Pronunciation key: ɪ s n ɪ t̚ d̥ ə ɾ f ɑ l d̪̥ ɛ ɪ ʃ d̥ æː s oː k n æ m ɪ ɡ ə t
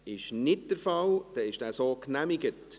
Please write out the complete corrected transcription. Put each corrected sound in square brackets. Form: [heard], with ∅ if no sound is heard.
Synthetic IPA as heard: ɪ [ʃ] n ɪ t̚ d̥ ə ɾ f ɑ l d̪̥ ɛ ɪ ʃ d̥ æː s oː k n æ m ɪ ɡ ə t